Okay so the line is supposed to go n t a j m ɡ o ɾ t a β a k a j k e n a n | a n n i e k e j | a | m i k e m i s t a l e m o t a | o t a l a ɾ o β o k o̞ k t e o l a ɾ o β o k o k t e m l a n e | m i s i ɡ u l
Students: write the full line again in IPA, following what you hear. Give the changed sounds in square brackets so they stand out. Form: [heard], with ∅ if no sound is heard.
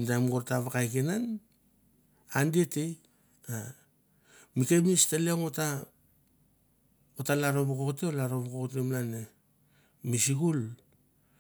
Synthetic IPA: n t a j m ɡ o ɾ t a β a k a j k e n a n | a n [d] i e [t] e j | a | m i k e m i s t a l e [ŋ] o t a | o t a l a ɾ o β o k o̞ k t e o l a ɾ o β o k o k t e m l a n e | m i s i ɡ u l

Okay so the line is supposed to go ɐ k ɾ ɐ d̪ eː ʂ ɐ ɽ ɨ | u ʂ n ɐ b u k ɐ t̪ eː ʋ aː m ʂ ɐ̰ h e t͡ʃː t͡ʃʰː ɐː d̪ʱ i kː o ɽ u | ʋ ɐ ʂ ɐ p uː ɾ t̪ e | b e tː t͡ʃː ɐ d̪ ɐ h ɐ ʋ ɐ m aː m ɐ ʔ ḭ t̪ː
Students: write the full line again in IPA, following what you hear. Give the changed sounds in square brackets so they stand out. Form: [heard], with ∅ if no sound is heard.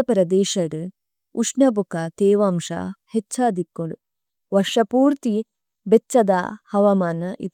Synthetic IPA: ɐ [p] ɾ ɐ d̪ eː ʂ ɐ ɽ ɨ | u ʂ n ɐ b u k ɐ t̪ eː ʋ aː m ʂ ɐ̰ h e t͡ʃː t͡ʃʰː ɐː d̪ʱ i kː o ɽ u | ʋ ɐ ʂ ɐ p uː ɾ t̪ [i] | b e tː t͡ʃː ɐ d̪ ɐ h ɐ ʋ ɐ m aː [n] ɐ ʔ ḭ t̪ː

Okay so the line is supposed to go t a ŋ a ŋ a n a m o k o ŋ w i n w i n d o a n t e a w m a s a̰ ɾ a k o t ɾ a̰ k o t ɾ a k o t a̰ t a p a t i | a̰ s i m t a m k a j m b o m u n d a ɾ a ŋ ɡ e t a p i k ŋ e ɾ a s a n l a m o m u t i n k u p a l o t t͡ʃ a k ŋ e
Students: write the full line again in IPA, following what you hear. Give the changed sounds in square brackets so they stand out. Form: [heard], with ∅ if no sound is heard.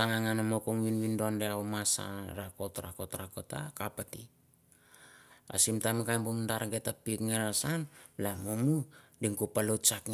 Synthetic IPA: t a ŋ a ŋ a n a m o k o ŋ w i n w i n d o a n [d] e a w m a s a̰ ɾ a k o t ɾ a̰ k o t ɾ a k o t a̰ [k] a p a t i | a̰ s i m t a m k a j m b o m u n d a ɾ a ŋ ɡ e t a p i k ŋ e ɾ a s a n l a m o m u [d] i [ŋ] k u p a l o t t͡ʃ a k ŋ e

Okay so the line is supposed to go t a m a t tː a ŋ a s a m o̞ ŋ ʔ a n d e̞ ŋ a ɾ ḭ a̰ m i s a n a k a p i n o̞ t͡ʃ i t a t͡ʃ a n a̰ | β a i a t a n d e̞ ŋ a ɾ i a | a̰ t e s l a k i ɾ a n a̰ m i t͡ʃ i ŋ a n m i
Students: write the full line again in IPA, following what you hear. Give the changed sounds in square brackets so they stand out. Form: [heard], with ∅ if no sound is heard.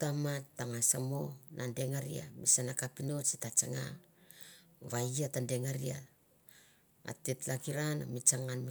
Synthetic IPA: t a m a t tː a ŋ a s a m o̞ [n] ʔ a n d e̞ ŋ a ɾ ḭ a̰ m i s a n a k a p i n o̞ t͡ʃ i t a t͡ʃ a [ŋ] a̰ | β a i a t a n d e̞ ŋ a ɾ i a | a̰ t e [t] l a k i ɾ a n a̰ m i t͡ʃ [a] ŋ a n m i

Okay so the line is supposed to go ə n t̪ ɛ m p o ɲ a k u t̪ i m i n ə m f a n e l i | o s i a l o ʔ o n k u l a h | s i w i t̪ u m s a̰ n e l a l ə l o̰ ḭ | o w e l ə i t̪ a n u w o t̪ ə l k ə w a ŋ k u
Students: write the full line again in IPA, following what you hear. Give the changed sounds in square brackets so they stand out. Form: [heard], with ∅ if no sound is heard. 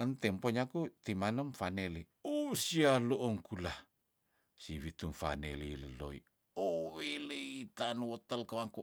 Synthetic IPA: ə n t̪ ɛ m p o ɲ a k u t̪ i m [a] n ə m f a n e l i | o s i a l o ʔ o [ŋ] k u l a h | s i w i t̪ u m [f] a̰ n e l [i] l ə l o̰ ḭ | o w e l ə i t̪ a n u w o t̪ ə l k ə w a ŋ k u

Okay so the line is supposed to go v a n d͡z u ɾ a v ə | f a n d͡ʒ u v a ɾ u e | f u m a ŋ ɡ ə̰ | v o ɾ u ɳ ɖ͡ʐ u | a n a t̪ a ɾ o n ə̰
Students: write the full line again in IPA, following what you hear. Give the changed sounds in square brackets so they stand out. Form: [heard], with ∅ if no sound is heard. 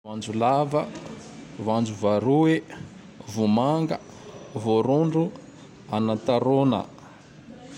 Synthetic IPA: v a n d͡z u [l] a v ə | [v] a n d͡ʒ u v a ɾ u e | [v] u m a ŋ ɡ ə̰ | v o ɾ u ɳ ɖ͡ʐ u | a n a t̪ a ɾ o n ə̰

